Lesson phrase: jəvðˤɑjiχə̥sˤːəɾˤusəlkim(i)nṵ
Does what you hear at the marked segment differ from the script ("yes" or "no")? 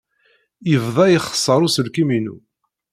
no